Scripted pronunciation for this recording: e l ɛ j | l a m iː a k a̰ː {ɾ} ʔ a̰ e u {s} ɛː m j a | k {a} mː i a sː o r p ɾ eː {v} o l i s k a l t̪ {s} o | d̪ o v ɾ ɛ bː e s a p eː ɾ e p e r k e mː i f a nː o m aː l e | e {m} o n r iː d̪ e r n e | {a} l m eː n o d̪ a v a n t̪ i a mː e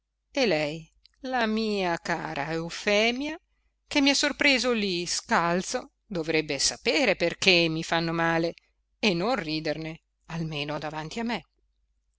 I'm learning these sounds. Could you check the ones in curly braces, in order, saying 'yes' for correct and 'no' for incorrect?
yes, no, no, no, yes, no, yes

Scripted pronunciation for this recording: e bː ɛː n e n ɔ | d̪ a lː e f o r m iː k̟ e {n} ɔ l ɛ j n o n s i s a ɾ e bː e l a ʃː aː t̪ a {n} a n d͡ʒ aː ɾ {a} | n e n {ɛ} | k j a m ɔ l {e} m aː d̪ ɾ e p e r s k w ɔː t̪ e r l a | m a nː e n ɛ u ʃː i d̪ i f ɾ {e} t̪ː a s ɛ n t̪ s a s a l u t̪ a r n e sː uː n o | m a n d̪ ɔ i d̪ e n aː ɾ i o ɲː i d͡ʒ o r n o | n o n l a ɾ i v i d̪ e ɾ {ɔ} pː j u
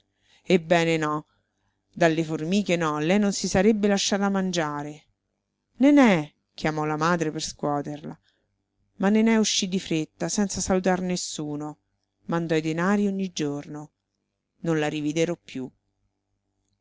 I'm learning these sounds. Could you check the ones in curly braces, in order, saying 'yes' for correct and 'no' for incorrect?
yes, no, no, yes, no, yes, yes

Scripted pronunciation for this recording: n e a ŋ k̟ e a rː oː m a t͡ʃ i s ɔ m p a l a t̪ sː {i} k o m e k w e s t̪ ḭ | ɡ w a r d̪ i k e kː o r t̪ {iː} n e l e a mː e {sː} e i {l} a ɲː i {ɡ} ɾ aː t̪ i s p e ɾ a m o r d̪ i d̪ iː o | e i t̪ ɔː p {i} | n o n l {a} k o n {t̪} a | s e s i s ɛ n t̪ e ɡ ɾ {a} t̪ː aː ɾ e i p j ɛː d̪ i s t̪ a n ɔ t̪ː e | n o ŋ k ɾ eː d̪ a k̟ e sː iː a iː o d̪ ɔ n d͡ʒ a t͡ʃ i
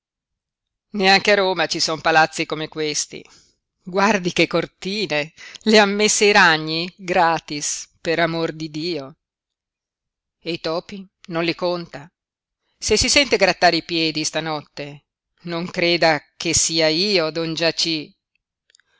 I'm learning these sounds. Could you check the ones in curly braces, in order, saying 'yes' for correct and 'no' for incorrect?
yes, yes, yes, no, yes, yes, no, yes, yes

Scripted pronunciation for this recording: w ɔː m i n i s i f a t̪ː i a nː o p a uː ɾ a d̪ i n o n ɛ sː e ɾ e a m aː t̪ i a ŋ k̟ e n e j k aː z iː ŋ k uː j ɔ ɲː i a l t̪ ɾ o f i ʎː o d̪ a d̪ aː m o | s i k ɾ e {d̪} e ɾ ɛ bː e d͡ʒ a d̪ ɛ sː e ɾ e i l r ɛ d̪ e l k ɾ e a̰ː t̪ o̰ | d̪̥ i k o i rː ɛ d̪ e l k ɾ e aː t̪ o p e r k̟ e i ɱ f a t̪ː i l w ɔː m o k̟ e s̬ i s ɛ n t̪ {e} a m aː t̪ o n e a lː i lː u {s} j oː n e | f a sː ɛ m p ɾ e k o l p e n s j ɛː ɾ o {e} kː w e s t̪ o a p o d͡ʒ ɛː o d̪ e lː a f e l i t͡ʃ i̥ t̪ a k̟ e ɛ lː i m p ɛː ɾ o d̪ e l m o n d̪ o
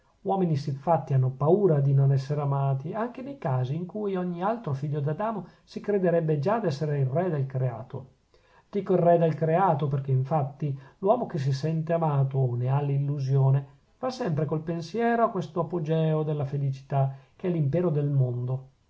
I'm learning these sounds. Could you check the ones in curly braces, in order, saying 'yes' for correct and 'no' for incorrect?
yes, yes, no, no

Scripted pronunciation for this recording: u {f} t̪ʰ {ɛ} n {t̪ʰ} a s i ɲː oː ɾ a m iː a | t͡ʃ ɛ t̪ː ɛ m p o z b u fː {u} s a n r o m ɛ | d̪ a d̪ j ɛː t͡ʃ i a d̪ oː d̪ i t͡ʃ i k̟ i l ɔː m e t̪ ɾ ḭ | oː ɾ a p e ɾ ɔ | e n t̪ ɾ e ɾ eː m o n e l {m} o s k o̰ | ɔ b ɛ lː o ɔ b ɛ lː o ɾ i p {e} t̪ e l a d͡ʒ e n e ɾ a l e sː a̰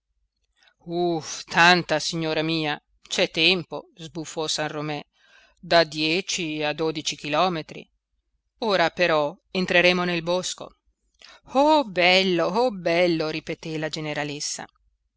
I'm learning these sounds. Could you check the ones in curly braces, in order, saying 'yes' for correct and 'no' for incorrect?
yes, no, no, no, no, yes

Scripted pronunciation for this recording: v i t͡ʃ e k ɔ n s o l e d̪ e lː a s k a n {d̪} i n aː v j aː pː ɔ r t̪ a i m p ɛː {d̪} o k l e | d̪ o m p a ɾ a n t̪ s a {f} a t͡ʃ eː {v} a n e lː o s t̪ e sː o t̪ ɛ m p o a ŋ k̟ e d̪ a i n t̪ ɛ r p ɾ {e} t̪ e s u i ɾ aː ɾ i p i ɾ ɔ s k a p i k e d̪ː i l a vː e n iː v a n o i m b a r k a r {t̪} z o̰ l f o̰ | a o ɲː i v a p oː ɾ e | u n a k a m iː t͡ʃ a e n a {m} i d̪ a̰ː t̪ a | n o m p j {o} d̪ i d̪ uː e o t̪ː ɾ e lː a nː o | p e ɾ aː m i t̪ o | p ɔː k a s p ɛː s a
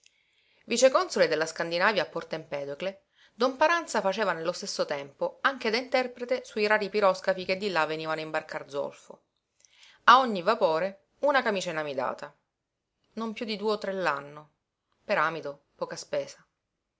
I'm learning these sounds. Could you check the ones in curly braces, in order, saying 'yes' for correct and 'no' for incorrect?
yes, yes, yes, yes, yes, no, yes, no

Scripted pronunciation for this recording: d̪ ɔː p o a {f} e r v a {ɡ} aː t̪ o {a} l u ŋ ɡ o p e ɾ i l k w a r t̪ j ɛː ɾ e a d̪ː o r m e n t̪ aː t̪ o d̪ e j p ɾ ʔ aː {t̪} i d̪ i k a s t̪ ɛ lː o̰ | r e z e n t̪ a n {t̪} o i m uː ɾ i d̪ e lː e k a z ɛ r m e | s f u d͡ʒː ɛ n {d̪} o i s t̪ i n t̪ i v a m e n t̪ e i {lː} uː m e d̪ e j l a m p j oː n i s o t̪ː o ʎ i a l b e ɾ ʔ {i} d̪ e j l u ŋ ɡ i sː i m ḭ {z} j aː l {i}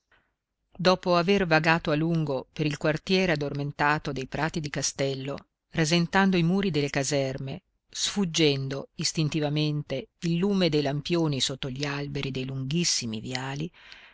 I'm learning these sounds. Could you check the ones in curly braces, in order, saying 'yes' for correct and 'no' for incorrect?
no, yes, yes, yes, no, yes, yes, yes, no, yes

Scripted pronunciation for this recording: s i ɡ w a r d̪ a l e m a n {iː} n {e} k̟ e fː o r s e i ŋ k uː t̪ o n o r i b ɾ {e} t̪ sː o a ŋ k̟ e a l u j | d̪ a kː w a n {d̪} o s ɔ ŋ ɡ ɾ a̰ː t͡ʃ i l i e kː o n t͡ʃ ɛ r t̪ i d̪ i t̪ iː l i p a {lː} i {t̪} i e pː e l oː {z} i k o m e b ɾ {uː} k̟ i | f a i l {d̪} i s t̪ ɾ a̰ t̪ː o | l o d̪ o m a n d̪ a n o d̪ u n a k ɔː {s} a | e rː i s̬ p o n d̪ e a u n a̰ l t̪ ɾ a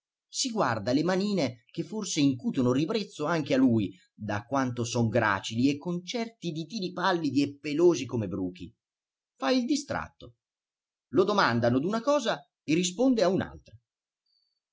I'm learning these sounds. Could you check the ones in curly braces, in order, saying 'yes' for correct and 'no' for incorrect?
yes, yes, yes, no, yes, no, yes, yes, yes, no

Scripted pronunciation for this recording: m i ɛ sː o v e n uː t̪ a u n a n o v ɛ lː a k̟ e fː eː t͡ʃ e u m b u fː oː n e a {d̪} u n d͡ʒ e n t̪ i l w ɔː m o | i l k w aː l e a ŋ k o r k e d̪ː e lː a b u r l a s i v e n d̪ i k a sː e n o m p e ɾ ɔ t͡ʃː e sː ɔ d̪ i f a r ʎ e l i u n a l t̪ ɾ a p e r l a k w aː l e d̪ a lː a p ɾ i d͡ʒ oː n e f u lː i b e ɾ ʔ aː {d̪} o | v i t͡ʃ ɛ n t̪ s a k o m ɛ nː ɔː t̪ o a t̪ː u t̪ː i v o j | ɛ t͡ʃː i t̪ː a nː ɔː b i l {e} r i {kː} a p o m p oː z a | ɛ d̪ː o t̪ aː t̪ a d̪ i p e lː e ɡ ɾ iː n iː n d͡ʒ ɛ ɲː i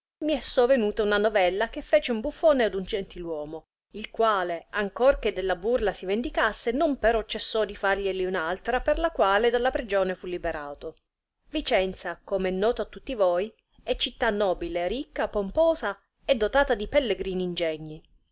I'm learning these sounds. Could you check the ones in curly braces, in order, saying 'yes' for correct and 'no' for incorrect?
yes, no, yes, yes

